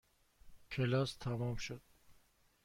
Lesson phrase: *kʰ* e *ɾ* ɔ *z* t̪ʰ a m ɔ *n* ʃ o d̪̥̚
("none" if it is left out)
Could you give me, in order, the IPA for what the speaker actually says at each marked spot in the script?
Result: kʰ, l, s, m

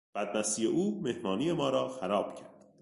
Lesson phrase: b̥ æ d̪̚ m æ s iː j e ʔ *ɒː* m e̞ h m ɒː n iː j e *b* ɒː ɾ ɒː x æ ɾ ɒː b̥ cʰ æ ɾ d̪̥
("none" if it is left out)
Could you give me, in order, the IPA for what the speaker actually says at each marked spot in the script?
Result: uː, m

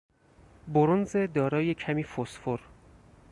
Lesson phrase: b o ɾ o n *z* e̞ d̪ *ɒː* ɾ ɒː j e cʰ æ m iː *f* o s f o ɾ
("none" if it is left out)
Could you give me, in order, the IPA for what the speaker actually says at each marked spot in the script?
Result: z, ɒː, f

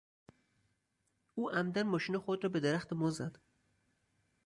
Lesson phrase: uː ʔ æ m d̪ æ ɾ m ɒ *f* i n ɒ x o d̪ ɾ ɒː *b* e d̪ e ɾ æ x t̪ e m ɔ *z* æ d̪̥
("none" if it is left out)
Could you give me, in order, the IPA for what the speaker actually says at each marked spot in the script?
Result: ʃ, b, z

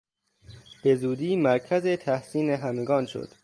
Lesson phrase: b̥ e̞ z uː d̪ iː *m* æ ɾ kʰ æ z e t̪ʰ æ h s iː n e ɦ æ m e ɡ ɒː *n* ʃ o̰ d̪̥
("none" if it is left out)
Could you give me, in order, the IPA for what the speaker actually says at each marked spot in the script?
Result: m, n

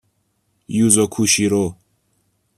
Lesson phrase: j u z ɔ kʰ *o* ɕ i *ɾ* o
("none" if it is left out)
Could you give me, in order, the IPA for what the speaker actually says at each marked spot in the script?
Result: u, ɾ

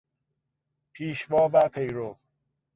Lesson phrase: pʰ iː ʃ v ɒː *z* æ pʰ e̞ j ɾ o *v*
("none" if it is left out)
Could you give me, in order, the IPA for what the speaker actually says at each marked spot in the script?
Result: v, v

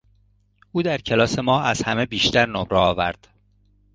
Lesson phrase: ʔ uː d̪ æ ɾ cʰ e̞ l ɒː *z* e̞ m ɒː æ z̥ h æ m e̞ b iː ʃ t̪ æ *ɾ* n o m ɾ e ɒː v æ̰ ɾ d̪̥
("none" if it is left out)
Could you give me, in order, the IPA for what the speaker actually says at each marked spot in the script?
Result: s, ɾ

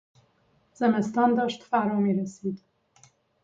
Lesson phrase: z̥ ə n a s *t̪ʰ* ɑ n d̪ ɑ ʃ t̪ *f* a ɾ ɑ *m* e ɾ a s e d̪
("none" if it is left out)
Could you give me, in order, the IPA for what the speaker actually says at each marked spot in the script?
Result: t̪, f, m

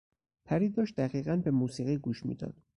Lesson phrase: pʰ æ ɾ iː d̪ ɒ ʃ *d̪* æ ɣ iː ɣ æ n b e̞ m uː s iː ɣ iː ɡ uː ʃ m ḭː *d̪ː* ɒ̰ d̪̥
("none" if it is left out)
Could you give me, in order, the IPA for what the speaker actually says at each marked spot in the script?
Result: d̪, d̪

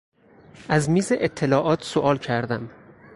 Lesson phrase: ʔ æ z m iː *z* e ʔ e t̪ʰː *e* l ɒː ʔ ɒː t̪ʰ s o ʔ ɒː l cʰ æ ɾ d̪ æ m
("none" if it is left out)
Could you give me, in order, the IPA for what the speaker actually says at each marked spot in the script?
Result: z, e

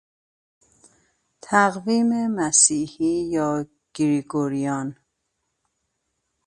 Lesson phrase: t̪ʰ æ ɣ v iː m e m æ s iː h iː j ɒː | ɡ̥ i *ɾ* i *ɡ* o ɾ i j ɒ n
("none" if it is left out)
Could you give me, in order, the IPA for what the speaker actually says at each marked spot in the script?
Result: ɾ, ɡ

